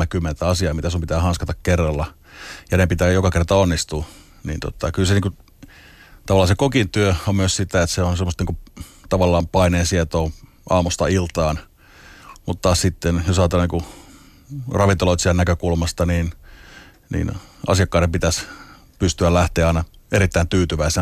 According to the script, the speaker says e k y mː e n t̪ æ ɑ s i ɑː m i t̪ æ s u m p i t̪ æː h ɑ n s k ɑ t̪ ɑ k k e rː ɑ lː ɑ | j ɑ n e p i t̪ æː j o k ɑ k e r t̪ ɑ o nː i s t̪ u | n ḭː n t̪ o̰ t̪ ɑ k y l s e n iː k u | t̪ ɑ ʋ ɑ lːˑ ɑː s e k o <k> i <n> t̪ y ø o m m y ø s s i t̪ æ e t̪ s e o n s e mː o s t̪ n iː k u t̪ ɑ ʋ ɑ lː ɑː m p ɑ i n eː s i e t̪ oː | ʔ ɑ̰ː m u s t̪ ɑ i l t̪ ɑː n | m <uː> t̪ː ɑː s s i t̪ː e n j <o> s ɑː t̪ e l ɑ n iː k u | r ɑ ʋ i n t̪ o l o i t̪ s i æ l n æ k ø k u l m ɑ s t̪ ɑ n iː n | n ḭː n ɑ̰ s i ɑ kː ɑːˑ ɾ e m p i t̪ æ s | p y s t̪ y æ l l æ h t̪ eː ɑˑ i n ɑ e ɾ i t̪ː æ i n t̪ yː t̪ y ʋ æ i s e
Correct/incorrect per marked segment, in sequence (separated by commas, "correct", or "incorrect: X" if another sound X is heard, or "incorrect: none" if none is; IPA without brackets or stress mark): correct, correct, incorrect: u, correct